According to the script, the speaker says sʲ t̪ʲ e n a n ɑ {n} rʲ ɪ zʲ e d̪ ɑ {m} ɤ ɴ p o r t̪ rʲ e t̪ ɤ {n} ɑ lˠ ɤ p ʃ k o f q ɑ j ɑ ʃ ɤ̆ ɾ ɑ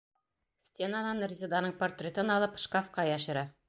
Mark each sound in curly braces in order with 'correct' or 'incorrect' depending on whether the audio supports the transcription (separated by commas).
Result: correct, incorrect, correct